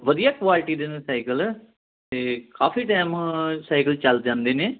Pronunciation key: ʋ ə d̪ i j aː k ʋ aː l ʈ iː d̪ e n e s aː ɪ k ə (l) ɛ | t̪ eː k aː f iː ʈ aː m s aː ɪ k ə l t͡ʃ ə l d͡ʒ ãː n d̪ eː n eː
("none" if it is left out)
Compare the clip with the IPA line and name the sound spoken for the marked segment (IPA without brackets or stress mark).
l